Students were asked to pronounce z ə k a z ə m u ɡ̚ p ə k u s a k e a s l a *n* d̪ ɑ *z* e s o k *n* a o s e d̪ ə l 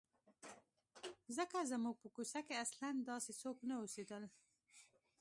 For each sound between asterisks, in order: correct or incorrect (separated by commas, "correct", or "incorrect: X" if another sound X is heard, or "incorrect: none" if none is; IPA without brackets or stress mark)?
correct, incorrect: s, correct